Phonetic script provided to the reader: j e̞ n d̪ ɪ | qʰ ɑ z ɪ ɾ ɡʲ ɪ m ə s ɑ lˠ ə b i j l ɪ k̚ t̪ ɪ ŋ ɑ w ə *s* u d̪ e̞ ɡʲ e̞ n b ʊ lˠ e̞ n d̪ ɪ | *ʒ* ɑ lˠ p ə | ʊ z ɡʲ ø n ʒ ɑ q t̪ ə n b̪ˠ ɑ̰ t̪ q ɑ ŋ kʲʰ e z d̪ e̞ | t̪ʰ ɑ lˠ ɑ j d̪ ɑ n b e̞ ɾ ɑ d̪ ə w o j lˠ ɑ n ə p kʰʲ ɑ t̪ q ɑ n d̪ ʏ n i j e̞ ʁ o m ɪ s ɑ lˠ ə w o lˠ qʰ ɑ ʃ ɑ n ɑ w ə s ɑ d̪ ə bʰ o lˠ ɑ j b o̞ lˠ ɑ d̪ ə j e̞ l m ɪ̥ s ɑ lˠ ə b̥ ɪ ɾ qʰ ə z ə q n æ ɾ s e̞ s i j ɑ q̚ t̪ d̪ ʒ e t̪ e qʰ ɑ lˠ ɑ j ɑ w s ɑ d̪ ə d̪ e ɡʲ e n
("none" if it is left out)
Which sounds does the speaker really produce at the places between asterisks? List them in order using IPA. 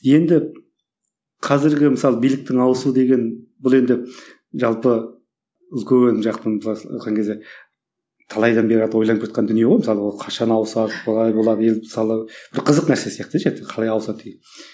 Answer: s, ʒ

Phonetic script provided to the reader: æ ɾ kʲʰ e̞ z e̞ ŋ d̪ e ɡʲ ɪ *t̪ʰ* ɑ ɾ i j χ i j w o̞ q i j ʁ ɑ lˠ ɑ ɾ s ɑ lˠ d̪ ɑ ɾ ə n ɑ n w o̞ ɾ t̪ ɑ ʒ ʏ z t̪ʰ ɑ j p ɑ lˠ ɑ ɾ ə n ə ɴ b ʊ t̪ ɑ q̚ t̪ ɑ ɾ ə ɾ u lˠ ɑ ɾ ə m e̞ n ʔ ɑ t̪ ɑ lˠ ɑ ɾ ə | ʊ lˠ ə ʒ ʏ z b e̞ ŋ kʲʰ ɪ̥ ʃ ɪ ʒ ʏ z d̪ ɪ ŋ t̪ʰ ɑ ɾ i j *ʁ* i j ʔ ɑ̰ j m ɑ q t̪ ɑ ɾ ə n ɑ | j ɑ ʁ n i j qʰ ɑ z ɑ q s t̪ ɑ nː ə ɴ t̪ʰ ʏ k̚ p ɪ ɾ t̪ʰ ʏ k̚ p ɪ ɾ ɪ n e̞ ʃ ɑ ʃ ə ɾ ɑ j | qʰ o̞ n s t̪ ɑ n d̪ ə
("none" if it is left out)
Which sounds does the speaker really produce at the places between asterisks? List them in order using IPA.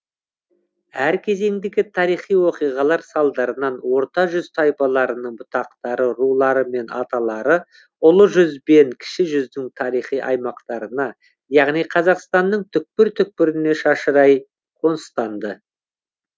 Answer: t̪ʰ, χ

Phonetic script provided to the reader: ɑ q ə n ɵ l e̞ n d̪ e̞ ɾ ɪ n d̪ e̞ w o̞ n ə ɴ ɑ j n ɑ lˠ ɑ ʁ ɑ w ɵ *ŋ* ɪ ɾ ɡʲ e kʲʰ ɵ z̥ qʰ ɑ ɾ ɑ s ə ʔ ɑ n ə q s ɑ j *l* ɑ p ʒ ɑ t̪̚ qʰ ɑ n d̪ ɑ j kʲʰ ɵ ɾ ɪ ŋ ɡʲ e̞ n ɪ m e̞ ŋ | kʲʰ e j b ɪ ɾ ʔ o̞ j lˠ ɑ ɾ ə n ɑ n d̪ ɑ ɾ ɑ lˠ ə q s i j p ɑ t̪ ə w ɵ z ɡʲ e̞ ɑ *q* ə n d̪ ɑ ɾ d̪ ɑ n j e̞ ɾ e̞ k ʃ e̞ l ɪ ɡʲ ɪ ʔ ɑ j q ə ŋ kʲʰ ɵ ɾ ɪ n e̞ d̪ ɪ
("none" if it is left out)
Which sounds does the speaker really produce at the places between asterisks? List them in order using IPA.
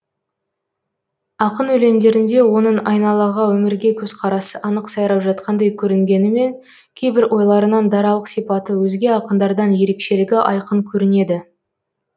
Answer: m, ɾ, q

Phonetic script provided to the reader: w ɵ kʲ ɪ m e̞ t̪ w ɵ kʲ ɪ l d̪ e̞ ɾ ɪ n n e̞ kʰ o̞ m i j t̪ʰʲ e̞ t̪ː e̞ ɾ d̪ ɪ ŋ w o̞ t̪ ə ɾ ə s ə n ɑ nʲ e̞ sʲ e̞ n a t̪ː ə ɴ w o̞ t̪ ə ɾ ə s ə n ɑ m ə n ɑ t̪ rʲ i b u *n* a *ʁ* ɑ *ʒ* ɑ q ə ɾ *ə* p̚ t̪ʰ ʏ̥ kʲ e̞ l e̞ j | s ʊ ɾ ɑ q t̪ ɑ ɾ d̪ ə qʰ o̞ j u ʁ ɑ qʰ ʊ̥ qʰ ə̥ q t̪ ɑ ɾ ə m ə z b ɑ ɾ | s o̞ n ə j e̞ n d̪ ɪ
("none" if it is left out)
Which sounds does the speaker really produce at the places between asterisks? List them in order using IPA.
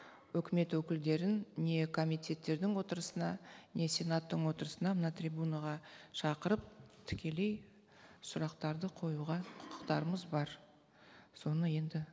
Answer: n, ʁ, ʃ, ə

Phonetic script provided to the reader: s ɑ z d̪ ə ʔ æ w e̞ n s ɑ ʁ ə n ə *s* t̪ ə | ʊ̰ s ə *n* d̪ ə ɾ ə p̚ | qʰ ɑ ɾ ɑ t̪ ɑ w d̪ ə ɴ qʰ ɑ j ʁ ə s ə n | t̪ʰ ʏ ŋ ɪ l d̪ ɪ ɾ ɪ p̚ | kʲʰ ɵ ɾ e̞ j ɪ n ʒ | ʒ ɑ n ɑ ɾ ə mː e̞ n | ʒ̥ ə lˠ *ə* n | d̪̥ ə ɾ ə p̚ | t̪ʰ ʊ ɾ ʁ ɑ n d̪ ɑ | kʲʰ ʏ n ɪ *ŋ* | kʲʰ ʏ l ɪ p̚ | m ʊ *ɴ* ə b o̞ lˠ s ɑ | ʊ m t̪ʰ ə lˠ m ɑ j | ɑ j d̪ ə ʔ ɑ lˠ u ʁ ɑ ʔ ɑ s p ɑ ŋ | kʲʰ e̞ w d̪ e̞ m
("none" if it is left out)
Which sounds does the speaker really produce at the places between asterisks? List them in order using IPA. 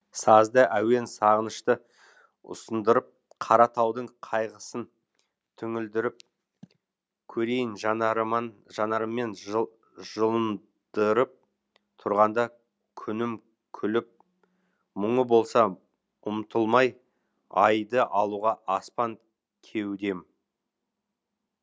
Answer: ʃ, n, ə, m, ɴ

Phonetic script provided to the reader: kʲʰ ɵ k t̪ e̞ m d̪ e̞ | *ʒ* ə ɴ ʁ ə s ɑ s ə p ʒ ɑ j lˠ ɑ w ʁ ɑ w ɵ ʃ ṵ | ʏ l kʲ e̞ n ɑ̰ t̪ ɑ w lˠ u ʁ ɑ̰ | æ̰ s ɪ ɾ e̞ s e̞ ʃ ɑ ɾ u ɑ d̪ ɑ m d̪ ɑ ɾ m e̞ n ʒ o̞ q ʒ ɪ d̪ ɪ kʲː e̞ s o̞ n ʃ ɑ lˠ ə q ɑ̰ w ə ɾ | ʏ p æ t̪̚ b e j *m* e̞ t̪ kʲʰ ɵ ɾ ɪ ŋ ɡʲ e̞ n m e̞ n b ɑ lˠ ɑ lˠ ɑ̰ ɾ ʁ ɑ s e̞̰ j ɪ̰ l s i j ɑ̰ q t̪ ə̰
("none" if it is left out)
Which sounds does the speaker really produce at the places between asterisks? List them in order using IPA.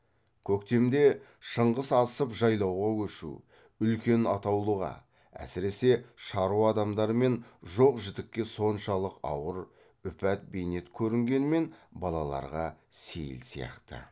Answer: ʃ, n

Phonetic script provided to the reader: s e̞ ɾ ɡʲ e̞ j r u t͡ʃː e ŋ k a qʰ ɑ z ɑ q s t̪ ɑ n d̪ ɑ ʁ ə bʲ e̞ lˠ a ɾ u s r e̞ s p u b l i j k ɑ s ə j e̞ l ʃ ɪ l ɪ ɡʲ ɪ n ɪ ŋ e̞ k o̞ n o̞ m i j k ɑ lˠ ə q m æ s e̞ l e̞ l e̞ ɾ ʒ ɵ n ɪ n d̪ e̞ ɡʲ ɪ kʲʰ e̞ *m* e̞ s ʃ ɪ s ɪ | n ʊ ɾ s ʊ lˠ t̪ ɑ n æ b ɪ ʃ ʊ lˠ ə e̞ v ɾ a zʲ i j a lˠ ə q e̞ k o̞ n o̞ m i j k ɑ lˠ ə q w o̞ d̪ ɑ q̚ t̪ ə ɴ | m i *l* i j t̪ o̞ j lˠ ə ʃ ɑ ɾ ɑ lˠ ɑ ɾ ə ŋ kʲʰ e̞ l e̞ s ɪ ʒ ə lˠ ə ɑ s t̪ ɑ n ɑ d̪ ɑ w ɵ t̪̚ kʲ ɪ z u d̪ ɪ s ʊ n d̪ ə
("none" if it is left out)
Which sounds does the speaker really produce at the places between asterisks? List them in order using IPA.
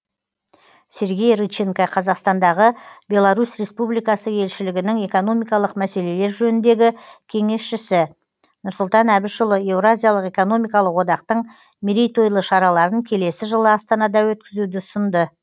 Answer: ŋ, ɾ

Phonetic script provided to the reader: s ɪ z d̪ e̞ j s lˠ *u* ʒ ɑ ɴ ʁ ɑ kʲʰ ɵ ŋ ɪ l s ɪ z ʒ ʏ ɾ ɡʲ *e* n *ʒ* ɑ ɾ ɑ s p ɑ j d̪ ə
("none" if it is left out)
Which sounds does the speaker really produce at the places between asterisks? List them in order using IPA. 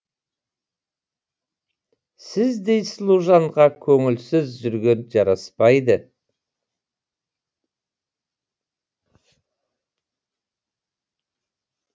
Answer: u, e, ʒ

